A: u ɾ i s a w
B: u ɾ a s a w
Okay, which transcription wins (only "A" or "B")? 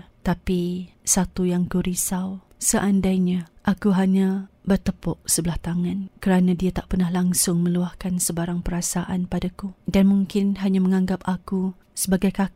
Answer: A